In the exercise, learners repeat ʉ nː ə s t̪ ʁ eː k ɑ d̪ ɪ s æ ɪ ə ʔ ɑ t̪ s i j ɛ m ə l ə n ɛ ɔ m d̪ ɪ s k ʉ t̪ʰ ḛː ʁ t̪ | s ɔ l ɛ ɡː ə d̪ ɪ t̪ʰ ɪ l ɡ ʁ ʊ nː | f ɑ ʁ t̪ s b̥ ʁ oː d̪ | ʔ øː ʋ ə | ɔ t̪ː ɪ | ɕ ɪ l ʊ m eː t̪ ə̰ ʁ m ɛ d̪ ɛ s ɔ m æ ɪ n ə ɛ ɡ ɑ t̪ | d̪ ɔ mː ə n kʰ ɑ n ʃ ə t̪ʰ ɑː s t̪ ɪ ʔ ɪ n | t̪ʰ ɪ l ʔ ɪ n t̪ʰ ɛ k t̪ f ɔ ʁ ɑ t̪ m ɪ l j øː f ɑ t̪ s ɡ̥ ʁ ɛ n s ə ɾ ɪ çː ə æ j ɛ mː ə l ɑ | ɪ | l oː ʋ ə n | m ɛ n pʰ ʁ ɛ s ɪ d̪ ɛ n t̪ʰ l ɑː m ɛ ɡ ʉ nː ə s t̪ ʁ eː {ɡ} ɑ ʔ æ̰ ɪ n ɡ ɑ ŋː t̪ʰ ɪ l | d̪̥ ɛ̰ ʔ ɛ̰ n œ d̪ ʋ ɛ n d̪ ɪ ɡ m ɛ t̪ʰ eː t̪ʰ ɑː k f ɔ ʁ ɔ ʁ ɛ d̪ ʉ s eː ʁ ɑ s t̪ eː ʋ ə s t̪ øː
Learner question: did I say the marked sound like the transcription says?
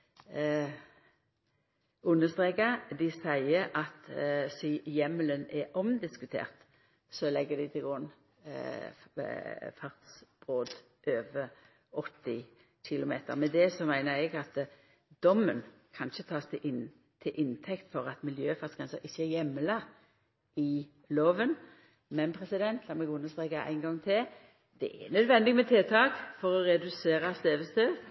no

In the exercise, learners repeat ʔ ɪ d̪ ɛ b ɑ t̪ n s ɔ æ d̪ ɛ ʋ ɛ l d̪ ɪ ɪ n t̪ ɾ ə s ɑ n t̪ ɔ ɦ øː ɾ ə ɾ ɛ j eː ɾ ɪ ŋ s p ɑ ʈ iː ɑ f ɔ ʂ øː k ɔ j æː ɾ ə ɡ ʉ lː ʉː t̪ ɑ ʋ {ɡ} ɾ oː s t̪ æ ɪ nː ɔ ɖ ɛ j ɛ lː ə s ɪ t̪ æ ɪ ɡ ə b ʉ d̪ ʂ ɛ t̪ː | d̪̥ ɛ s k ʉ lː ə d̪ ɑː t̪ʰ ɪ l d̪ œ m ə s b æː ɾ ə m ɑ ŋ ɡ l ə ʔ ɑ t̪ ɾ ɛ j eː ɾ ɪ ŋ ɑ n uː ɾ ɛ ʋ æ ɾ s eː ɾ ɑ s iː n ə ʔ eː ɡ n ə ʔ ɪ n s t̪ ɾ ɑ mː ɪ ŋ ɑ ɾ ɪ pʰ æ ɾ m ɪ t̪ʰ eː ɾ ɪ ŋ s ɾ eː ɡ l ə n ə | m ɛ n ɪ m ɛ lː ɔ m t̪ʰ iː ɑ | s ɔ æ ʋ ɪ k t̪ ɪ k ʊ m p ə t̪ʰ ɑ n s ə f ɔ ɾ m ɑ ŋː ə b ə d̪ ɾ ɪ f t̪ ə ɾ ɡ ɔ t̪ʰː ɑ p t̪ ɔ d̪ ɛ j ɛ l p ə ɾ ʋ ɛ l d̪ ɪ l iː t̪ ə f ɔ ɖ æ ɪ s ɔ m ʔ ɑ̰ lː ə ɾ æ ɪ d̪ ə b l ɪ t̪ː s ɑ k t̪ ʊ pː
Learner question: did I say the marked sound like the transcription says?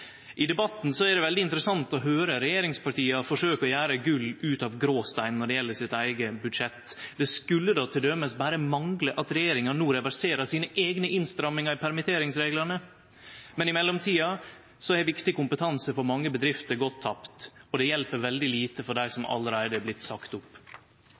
yes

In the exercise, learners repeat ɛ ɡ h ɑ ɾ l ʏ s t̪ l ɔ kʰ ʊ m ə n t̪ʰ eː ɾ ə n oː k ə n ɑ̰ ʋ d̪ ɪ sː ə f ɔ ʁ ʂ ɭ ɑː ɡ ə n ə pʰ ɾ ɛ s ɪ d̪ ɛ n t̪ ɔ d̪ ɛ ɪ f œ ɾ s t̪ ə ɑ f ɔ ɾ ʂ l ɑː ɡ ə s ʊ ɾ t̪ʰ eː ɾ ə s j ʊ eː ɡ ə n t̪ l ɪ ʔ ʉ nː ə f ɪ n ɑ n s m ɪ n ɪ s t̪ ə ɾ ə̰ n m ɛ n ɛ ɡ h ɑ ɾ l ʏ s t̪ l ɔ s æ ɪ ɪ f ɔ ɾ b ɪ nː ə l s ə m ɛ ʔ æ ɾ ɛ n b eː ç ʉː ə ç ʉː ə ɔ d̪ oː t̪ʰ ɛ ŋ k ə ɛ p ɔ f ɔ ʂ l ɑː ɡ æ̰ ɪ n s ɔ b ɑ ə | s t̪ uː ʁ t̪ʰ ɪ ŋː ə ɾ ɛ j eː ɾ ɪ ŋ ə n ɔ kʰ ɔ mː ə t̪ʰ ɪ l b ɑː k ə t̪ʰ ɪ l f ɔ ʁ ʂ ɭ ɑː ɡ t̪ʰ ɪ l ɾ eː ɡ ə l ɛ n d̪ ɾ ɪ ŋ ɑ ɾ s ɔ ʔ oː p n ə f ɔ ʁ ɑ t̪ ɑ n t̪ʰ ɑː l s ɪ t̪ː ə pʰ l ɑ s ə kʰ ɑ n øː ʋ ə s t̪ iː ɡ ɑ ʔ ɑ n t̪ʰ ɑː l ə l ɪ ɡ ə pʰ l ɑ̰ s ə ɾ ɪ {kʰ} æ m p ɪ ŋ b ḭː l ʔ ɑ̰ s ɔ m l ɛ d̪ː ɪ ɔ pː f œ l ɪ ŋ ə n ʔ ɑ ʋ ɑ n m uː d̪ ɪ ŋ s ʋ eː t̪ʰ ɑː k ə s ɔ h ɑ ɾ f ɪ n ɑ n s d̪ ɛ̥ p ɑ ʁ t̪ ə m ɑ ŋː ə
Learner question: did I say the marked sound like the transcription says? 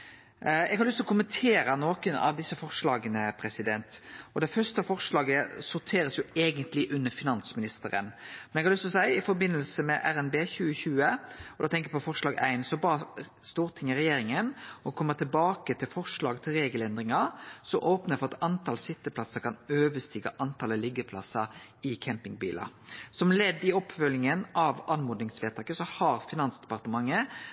yes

